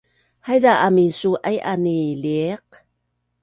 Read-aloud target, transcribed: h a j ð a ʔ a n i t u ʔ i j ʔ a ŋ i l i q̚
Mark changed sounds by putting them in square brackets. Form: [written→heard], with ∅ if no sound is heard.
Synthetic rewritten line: h a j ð a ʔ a [n→m] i [t→s] u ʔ [i→a] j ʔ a [ŋ→n] i l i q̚